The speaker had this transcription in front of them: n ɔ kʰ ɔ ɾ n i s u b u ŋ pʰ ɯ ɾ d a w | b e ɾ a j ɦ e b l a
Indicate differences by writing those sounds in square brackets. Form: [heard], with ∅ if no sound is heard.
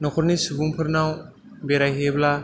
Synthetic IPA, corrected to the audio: n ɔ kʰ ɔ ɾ n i s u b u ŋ pʰ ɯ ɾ [n] a w | b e ɾ a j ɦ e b l a